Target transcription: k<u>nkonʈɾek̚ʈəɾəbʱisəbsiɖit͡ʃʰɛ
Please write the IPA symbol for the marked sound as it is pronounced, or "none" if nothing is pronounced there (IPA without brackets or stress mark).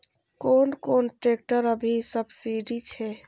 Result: o